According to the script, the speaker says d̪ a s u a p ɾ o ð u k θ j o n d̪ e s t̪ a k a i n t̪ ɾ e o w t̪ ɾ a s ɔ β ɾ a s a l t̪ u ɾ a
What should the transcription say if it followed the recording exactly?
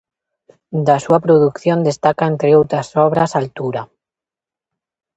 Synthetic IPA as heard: d̪ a s u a p ɾ o ð u k θ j o n d̪ e s t̪ a k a e n t̪ ɾ e o w t̪ ɾ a s ɔ β ɾ a s a l t̪ u ɾ a